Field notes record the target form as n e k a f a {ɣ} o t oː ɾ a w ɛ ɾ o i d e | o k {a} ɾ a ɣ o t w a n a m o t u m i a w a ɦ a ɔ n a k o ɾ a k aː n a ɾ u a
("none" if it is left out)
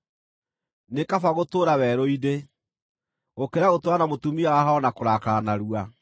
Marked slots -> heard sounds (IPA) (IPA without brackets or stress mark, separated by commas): ɣ, e